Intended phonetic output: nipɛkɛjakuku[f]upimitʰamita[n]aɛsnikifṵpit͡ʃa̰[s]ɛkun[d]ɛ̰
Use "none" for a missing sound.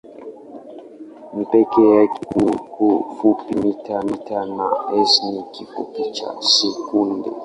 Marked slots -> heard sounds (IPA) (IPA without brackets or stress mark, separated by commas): f, n, s, d